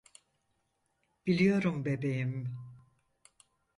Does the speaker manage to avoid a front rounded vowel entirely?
yes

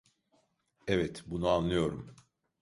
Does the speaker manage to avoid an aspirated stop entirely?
yes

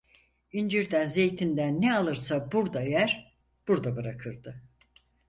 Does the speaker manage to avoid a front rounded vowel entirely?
yes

